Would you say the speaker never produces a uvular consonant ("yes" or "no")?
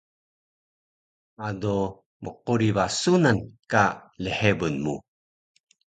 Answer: no